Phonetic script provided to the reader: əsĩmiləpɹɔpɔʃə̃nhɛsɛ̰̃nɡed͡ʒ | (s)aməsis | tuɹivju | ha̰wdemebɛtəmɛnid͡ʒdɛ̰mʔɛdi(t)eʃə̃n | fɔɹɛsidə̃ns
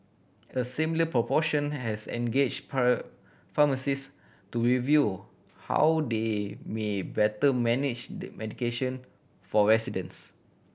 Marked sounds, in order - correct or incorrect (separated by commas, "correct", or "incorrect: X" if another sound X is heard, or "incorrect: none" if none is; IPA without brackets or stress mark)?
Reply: incorrect: f, incorrect: k